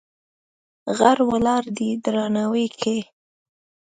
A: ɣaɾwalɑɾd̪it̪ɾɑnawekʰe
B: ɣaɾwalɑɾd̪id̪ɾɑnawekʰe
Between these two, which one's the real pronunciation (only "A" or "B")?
B